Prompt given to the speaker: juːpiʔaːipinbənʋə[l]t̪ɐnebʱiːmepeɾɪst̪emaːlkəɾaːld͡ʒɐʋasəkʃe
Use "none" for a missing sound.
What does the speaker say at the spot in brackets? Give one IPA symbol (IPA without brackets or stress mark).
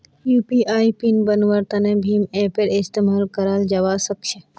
ɾ